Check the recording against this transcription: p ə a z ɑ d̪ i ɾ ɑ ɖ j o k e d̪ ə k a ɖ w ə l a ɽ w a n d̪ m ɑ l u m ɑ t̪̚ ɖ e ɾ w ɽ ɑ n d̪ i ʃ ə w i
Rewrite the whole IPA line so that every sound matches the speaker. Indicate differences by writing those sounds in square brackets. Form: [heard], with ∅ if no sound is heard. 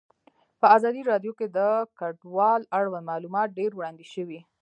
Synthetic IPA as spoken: p ə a z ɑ d̪ i ɾ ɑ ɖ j o k e d̪ ə k a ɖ w [ɑ] l a ɽ w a n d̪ m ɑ l u m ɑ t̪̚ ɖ e ɾ w ɽ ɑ n d̪ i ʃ ə w i

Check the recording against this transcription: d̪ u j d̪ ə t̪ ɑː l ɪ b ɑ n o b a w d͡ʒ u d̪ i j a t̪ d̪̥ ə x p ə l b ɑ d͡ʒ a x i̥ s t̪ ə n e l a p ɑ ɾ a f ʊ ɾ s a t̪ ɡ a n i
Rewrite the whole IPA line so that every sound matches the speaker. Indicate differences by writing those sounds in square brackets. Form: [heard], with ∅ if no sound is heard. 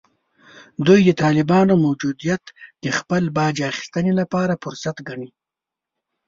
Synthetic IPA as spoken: d̪ u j d̪ ə t̪ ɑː l ɪ b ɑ n o [m] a w d͡ʒ u d̪ i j a t̪ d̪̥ ə x p ə l b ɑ d͡ʒ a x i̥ s t̪ ə n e l a p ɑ ɾ a f ʊ ɾ s a t̪ ɡ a [ɳ] i

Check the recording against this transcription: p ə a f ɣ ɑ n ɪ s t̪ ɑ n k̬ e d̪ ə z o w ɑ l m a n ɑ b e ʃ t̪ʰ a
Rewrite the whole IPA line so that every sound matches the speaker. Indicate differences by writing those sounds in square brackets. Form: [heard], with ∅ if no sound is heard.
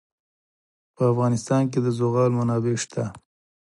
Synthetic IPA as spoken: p ə a f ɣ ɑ n ɪ s t̪ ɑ n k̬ e d̪ ə z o [ɣ] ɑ l m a n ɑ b e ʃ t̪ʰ a

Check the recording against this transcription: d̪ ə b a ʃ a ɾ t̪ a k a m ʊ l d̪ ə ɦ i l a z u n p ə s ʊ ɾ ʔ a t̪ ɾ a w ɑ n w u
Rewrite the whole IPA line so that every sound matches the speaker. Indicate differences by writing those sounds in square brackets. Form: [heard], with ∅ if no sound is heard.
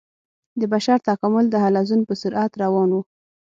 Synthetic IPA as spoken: d̪ ə b a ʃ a ɾ t̪ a k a m ʊ l d̪ ə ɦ [a] l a z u n p ə s ʊ ɾ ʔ a t̪ ɾ a w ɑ n w u

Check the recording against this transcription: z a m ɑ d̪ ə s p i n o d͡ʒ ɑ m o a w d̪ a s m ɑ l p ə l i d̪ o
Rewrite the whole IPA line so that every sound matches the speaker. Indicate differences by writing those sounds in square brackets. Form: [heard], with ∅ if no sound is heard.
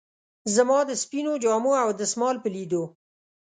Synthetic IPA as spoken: z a m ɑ d̪ ə s p i n o d͡ʒ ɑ m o a w d̪ [ə] s m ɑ l p ə l i d̪ o

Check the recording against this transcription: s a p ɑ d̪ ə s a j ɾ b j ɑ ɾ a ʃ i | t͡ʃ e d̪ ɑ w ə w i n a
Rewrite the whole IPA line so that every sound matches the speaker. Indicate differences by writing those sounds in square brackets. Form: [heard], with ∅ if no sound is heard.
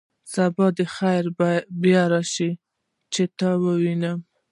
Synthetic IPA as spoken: s a [b] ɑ d̪ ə [x] a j ɾ b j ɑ ɾ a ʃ i | t͡ʃ e [t̪] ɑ w ə w i n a

